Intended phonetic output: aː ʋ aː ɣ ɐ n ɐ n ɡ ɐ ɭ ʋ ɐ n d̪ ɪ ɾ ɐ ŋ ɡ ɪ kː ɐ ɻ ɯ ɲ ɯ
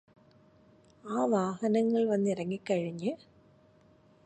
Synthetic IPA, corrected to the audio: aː ʋ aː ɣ ɐ n ɐ ŋ ɡ ɐ ɭ ʋ ɐ n d̪ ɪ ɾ ɐ ŋ ɡ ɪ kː ɐ ɻ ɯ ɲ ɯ